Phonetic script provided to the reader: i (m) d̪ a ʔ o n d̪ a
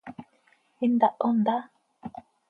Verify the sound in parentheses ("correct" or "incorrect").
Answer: incorrect